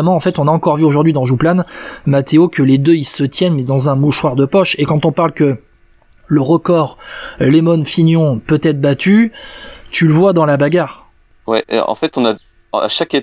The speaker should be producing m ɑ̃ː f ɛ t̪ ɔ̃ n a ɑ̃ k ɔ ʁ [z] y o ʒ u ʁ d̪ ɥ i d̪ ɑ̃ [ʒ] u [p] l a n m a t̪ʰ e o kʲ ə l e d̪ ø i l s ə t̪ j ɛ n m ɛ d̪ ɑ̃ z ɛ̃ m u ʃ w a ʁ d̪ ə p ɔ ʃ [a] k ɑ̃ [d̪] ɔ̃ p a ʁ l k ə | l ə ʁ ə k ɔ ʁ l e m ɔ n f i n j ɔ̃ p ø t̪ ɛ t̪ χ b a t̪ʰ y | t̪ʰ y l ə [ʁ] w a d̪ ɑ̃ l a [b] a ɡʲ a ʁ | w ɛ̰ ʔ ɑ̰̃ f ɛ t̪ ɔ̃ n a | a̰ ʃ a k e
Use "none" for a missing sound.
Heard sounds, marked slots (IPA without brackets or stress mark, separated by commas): v, ʒ, p, e, t̪, v, b